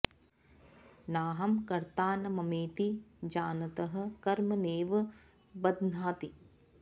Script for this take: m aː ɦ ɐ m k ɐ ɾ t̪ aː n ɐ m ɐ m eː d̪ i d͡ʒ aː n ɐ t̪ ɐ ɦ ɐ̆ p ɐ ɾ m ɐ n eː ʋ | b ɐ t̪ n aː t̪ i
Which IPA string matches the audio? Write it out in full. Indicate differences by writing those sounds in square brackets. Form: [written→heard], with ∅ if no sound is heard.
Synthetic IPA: [m→n] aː ɦ ɐ m k ɐ ɾ t̪ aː n ɐ m ɐ m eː [d̪→t̪] i d͡ʒ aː n ɐ t̪ ɐ ɦ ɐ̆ [p→k] ɐ ɾ m ɐ n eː ʋ | b ɐ [t̪→d̪] n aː t̪ i